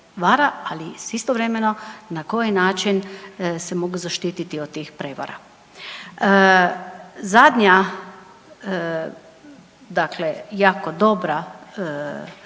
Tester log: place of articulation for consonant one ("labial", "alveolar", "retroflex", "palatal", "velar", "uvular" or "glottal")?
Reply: labial